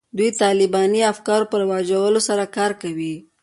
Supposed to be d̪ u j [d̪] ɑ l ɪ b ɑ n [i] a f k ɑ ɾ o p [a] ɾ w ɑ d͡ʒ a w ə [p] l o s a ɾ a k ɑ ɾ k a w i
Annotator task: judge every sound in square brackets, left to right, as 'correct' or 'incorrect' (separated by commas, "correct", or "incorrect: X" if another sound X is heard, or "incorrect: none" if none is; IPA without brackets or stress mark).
incorrect: t̪, correct, incorrect: ə, incorrect: none